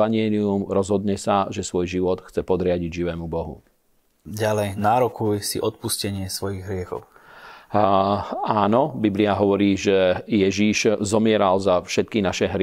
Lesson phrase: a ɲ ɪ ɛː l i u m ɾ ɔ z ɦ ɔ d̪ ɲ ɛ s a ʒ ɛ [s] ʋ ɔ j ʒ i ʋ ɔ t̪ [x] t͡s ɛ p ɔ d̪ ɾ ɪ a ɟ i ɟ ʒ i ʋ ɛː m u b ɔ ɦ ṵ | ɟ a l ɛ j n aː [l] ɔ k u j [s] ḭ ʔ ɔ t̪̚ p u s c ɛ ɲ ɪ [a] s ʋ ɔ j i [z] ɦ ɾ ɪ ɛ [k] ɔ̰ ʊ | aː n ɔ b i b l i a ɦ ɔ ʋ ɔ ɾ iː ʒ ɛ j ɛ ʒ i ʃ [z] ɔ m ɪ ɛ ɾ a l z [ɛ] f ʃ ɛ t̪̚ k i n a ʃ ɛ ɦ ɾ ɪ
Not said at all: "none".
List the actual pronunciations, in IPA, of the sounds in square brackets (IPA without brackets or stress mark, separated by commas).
s, x, ɾ, s, ɛ, ɣ, x, z, a